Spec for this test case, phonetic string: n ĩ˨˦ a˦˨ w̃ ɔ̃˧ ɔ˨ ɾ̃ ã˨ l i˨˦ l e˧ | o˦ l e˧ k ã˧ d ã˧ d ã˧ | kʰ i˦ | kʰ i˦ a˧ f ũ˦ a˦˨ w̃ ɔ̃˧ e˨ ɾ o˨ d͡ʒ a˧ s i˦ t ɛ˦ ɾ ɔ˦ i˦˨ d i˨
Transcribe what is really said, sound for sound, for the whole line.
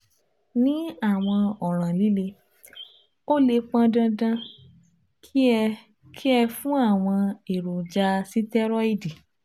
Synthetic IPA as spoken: n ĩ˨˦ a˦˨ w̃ ɔ̃˧ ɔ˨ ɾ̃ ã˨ l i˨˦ l e˧ | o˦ l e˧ k͡p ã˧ d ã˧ d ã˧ | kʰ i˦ | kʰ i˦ ɛ˧ f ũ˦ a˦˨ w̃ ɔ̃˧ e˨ ɾ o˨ d͡ʒ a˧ s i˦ t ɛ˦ ɾ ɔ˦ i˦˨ d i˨